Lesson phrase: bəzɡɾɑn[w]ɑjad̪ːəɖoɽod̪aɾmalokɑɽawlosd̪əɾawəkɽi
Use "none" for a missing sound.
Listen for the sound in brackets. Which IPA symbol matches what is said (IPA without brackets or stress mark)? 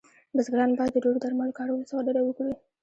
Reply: b